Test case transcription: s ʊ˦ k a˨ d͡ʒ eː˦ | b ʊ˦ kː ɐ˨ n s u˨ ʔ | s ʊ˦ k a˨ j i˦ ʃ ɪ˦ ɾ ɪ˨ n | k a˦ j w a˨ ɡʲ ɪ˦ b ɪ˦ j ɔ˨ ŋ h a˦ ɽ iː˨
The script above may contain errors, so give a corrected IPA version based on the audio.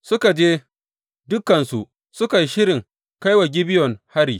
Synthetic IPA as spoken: s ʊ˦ k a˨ d͡ʒ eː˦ | d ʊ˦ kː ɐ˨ n s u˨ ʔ | s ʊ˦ k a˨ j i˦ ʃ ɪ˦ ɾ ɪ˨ ŋ | k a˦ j w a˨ ɡʲ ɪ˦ b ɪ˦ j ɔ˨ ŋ h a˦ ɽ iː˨